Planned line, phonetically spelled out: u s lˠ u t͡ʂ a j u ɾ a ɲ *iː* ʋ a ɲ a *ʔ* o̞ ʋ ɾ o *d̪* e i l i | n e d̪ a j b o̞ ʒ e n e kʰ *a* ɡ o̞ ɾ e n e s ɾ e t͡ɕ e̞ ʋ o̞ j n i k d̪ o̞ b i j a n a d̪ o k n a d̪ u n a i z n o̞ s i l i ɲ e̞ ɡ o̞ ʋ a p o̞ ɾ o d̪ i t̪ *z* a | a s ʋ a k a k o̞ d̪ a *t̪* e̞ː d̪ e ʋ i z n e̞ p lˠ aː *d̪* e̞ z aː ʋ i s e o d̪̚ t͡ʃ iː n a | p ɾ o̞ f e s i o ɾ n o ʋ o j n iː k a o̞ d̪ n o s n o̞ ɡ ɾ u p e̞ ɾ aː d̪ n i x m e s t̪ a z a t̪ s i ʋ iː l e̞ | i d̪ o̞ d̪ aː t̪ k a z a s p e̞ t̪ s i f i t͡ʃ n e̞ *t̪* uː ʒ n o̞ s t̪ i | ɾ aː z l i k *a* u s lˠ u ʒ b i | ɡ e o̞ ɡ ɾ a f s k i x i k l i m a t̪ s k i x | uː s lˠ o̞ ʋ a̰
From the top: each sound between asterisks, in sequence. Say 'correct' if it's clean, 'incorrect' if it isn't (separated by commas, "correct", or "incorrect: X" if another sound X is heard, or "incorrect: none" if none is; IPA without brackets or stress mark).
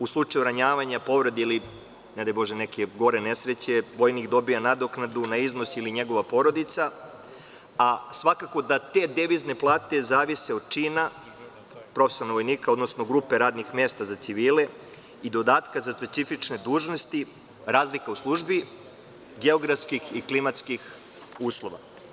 incorrect: aː, incorrect: p, correct, incorrect: e, incorrect: s, correct, incorrect: t̪, incorrect: d̪, correct